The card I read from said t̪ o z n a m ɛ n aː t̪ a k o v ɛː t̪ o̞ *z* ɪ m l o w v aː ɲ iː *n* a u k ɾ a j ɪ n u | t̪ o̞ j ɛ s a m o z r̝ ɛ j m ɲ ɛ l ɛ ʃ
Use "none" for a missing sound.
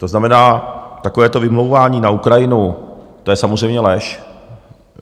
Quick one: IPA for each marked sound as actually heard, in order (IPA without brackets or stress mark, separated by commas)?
v, n